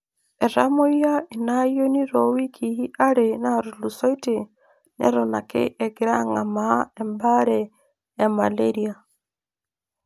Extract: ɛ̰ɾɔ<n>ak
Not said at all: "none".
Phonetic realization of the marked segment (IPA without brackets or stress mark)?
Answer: n